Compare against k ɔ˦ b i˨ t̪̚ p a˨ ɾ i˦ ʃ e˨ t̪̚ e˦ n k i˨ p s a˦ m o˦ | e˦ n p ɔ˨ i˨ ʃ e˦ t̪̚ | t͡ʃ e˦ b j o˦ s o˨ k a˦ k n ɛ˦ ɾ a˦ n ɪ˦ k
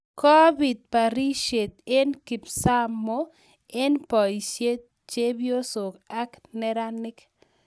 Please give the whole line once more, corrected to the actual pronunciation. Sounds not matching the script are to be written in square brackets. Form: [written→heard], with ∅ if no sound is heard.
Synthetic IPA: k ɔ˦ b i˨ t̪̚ p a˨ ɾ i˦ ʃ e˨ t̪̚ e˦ n k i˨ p s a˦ m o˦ | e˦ n p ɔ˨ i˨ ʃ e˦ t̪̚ | t͡ʃ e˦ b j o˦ s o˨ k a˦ k n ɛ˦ ɾ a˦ n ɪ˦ k